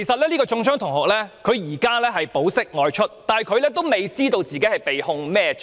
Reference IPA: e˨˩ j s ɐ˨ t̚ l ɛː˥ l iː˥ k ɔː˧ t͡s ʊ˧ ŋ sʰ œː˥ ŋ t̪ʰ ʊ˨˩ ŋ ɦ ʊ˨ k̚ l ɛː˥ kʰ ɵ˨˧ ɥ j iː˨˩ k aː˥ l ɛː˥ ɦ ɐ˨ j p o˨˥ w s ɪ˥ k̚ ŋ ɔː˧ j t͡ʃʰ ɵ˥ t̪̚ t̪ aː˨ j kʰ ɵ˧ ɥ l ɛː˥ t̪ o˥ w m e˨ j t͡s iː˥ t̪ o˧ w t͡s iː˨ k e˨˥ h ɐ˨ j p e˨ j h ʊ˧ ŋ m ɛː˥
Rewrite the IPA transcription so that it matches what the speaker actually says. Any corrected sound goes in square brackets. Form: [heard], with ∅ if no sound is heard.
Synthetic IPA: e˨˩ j s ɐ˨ t̚ l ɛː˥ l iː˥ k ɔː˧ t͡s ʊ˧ ŋ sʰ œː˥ ŋ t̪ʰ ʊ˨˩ ŋ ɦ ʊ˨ k̚ l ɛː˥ kʰ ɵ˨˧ ɥ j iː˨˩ k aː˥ l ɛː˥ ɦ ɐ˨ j p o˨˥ w s ɪ˥ k̚ ŋ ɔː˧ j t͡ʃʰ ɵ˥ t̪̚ t̪ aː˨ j kʰ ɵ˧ ɥ l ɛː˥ t̪ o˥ w m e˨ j t͡s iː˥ t̪ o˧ w t͡s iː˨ k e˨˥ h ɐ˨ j p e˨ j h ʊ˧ ŋ m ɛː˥